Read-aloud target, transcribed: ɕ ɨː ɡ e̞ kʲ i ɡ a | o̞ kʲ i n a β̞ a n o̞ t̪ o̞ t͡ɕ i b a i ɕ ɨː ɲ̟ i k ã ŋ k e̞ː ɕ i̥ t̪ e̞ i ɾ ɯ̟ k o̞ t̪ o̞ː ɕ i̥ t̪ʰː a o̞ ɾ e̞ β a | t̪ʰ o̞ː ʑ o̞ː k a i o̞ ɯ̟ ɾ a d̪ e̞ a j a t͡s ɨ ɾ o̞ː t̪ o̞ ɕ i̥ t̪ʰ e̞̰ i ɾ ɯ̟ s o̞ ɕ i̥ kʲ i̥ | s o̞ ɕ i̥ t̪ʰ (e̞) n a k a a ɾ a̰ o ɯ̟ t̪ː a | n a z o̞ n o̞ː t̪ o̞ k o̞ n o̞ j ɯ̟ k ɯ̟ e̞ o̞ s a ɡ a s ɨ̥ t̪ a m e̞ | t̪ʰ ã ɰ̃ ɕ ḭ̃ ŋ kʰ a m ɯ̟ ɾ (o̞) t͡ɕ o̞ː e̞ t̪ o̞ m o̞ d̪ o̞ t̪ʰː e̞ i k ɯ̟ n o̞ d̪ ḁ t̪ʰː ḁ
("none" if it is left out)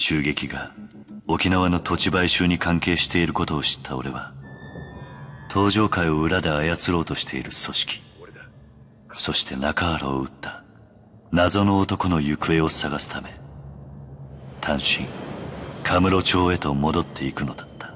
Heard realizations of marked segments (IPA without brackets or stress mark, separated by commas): e̞, o̞